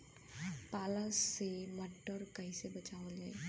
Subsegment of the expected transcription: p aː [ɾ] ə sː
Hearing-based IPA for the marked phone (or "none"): l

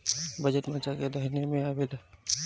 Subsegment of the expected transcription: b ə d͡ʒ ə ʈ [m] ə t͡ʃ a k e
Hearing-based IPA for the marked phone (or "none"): m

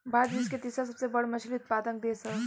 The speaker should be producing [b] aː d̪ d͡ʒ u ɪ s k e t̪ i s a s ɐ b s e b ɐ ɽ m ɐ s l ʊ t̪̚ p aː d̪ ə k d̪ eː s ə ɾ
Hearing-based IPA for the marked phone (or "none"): b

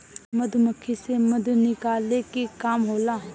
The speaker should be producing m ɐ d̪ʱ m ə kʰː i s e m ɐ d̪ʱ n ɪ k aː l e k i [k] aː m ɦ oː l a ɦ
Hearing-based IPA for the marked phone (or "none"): k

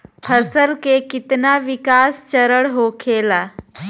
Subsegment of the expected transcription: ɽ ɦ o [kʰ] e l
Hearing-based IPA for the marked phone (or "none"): kʰ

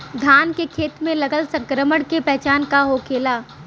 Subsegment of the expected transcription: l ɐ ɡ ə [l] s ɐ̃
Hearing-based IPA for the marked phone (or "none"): l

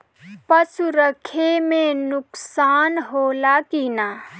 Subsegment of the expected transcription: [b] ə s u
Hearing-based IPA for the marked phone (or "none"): p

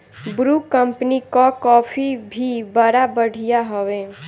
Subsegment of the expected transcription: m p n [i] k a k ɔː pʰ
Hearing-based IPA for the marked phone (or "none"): i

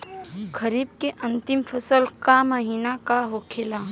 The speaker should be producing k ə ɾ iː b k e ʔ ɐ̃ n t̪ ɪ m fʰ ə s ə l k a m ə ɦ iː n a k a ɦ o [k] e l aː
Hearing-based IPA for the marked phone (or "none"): kʰ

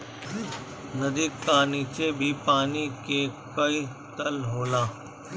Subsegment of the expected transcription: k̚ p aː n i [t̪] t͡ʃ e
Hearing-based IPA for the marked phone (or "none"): none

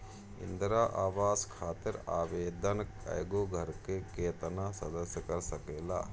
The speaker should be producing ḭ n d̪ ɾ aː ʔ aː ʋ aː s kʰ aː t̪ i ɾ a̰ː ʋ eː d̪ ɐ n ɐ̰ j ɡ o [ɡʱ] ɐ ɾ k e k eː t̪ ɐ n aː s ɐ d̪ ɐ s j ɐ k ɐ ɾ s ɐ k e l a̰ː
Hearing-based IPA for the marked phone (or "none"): ɡʱ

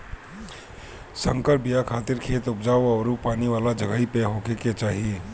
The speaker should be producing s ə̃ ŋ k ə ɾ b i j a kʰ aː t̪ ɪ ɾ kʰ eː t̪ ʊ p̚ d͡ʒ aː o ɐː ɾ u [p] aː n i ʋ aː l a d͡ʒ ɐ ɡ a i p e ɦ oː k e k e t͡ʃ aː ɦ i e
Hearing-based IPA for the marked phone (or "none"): p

